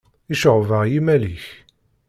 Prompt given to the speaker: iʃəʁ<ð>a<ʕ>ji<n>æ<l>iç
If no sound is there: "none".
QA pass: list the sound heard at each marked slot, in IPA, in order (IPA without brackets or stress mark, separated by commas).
v, ʁ, m, l